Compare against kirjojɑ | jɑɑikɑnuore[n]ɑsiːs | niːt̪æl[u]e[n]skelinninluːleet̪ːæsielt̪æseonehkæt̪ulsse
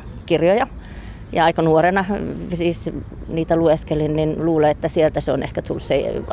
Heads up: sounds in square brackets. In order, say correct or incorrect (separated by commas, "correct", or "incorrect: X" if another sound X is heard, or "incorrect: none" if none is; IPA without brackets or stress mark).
correct, correct, incorrect: none